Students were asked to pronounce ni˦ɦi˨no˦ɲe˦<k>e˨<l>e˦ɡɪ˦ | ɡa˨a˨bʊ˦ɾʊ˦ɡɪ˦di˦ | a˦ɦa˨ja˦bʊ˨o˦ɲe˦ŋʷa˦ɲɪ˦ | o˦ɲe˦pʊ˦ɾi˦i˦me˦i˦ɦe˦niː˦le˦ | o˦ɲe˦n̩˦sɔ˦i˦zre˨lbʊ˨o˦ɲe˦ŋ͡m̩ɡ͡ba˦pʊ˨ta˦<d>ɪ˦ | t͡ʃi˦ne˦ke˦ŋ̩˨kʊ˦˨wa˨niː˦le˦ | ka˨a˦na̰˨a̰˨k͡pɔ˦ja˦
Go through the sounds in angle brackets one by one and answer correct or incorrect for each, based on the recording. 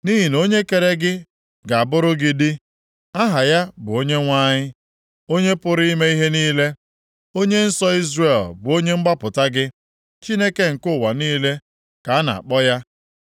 correct, incorrect: ɾ, incorrect: ɡ

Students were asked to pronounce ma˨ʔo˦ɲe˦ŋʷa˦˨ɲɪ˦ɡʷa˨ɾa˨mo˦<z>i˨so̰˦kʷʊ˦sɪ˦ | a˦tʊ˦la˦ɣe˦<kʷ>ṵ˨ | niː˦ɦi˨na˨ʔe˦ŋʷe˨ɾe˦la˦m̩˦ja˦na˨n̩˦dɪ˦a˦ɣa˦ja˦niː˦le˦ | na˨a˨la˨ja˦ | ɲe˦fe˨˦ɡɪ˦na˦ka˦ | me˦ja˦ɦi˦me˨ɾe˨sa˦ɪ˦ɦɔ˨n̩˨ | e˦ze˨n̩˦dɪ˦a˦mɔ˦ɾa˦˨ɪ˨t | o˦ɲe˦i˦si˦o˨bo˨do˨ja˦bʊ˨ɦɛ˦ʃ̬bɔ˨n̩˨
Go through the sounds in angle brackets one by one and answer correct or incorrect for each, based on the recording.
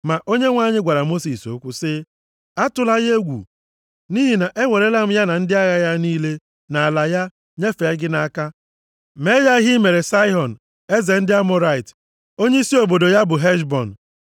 incorrect: s, incorrect: ɡʷ

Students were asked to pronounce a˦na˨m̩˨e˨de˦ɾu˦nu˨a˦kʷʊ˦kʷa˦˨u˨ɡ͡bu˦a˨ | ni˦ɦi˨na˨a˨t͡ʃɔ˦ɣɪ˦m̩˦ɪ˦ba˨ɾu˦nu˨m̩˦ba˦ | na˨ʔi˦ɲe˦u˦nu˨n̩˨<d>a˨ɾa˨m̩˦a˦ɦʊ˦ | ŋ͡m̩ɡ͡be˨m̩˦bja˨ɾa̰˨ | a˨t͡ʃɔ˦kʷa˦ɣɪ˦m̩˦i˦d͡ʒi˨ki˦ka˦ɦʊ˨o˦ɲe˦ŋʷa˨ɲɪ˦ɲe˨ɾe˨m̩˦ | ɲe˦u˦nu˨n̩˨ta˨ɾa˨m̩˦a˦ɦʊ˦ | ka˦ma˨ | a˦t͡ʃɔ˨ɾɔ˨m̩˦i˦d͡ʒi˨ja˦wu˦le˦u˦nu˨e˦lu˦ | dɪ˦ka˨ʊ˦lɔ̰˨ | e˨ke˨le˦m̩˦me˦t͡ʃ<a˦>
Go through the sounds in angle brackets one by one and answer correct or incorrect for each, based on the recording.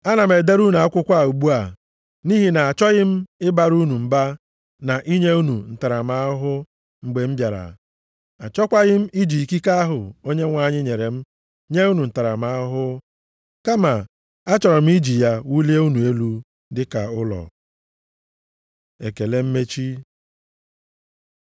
incorrect: t, incorrect: i˦

